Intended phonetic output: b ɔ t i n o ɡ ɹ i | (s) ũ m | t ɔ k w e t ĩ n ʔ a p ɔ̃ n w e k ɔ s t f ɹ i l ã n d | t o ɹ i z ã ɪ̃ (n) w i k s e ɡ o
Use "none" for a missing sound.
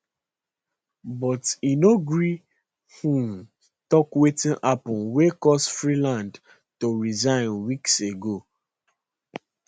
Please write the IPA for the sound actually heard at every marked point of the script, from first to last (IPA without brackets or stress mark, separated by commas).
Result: h, n